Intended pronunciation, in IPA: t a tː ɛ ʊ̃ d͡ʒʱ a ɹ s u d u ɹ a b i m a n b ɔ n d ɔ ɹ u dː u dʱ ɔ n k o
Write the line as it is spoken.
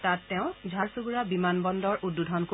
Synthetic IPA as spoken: t a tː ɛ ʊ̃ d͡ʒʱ a ɹ s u ɡ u ɹ a b i m a n b ɔ n d ɔ ɹ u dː u dʱ ɔ n k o